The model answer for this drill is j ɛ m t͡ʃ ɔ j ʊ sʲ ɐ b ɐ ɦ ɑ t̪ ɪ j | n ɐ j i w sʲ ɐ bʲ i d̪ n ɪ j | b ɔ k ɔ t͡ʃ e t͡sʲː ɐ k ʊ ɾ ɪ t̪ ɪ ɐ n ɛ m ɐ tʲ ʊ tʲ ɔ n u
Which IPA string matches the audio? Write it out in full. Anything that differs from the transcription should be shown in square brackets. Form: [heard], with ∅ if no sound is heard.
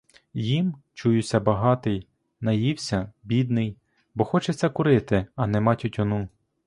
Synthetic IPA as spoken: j [i] m t͡ʃ [u] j ʊ sʲ ɐ b ɐ ɦ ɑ t̪ ɪ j | n ɐ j i w sʲ ɐ bʲ i d̪ n ɪ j | b ɔ [x] ɔ t͡ʃ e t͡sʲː ɐ k ʊ ɾ ɪ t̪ ɪ ɐ n ɛ m [ɑ] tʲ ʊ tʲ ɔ n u

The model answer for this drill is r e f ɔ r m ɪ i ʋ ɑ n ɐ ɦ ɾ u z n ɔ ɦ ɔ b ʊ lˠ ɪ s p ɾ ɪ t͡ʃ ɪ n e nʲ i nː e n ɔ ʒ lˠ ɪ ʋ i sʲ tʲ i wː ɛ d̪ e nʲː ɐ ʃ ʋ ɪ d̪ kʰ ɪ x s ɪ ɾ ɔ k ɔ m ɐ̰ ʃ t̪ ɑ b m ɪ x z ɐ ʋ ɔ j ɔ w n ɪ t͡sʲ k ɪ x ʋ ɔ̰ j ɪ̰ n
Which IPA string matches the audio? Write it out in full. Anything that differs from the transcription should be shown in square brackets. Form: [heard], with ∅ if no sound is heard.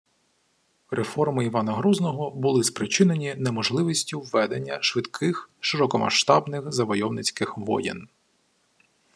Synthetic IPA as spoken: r e f ɔ r m ɪ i ʋ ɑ n ɐ ɦ ɾ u z n ɔ ɦ ɔ b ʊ lˠ ɪ s p ɾ ɪ t͡ʃ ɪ n e nʲ i [n] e [m] ɔ ʒ lˠ ɪ ʋ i sʲ tʲ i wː ɛ d̪ e nʲː ɐ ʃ ʋ ɪ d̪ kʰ ɪ x [ʃ] ɪ ɾ ɔ k ɔ m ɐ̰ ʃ t̪ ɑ b [n] ɪ x z ɐ ʋ ɔ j ɔ w n ɪ t͡sʲ k ɪ x ʋ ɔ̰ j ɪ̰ n

